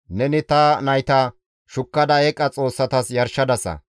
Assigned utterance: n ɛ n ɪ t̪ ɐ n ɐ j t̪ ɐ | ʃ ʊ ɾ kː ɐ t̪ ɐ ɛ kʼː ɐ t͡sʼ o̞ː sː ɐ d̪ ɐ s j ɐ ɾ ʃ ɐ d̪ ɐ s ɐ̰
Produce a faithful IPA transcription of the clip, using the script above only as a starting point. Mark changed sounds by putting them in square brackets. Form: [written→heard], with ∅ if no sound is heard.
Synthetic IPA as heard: n ɛ n ɪ t̪ ɐ n ɐ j t̪ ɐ | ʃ ʊ [ɾ→∅] kː ɐ [t̪→d̪] ɐ ɛ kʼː ɐ t͡sʼ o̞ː sː ɐ [d̪→t̪] ɐ s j ɐ ɾ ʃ ɐ d̪ ɐ s ɐ̰